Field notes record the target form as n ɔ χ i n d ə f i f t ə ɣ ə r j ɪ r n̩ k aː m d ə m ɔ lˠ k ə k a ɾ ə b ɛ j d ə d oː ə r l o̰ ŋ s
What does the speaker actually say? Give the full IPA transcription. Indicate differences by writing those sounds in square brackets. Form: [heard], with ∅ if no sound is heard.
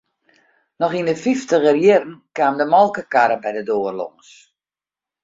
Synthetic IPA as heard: n ɔ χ i n d ə f i f t ə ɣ ə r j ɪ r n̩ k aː m d ə m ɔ lˠ k ə k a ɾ ə b ɛ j d ə d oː ə r l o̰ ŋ s